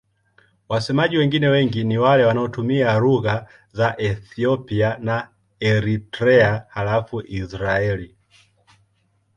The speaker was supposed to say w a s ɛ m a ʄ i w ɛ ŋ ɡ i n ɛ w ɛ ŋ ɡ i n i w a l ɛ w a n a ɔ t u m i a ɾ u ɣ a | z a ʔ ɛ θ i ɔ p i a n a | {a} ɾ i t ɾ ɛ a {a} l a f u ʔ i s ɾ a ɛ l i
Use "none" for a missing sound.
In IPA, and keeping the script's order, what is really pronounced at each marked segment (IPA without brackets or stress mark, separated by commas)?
ɛ, a